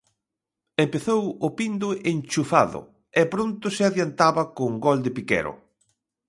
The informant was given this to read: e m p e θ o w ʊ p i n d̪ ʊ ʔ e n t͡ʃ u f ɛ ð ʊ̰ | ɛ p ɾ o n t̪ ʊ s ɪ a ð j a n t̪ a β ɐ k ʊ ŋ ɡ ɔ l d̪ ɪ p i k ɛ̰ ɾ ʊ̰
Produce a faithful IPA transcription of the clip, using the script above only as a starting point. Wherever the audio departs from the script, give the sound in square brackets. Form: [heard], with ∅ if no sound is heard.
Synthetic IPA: e m p e θ o w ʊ p i n d̪ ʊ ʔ e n t͡ʃ u f [a] ð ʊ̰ | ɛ p ɾ o n t̪ ʊ s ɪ a ð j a n t̪ a β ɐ k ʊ ŋ ɡ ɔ l d̪ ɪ p i k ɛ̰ ɾ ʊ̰